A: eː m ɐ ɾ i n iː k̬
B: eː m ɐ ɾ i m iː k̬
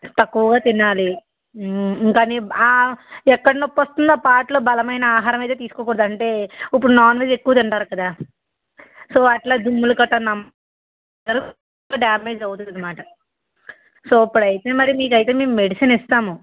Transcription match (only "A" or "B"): B